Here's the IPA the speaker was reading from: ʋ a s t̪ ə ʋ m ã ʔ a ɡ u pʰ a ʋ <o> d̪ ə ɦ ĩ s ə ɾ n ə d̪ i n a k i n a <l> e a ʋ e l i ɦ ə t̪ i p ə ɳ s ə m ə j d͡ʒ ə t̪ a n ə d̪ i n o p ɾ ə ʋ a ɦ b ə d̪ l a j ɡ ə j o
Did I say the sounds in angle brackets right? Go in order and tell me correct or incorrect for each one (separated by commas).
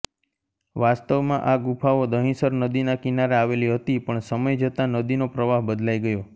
correct, incorrect